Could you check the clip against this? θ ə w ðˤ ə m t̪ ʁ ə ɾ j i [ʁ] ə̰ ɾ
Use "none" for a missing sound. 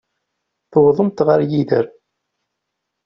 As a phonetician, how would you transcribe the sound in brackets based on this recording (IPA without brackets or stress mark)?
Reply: ð